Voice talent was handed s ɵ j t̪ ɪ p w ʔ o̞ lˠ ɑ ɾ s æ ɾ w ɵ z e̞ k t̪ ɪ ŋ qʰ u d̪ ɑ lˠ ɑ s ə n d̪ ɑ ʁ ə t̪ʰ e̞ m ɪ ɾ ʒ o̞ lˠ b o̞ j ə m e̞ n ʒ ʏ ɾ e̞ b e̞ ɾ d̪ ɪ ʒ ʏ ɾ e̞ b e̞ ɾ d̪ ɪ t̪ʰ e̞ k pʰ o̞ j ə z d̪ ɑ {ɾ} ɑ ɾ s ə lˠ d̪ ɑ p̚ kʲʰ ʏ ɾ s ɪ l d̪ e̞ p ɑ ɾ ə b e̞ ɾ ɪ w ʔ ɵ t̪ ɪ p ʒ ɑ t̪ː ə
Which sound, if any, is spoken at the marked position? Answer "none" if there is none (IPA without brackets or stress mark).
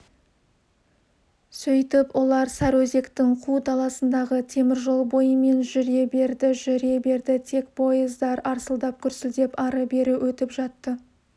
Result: ɾ